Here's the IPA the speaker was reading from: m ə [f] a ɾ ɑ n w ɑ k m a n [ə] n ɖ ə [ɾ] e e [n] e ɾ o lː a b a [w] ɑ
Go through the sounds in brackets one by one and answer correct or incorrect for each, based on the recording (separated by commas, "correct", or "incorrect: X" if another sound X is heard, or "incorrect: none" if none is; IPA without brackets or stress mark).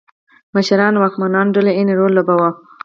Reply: incorrect: ʃ, incorrect: ɑ, incorrect: l, correct, correct